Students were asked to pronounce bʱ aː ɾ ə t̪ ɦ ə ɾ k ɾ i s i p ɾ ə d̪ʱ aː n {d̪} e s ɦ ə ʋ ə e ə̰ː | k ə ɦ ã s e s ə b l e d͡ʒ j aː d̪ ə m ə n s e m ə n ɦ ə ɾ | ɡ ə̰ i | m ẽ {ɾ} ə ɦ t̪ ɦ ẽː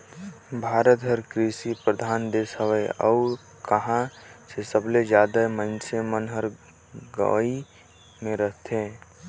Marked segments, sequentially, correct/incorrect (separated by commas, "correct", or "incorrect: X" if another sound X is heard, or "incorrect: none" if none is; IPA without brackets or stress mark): correct, correct